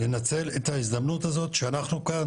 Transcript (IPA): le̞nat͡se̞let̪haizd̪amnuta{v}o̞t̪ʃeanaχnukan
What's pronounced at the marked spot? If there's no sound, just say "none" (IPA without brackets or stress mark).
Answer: z